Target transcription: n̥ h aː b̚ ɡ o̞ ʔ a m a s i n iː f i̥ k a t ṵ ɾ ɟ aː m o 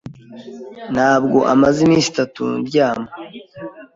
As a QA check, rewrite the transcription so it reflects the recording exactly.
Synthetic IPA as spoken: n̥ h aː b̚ ɡ o̞ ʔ a m a z i m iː s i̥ t a t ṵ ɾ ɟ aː m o